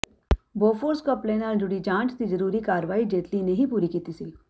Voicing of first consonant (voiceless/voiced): voiced